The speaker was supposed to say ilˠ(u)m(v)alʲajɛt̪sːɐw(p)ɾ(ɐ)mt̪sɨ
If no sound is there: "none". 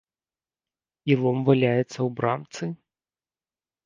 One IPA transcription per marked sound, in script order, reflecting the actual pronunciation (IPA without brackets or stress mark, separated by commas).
ɔ, v, b, a